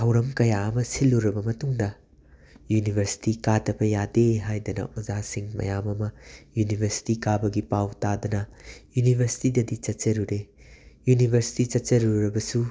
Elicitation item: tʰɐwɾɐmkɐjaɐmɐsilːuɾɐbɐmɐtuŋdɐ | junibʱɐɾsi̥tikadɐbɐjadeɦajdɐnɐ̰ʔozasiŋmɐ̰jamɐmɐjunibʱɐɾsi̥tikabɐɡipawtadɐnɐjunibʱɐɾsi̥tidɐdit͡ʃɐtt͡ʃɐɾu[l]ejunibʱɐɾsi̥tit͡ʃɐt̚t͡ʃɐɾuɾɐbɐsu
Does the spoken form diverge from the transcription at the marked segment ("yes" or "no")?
yes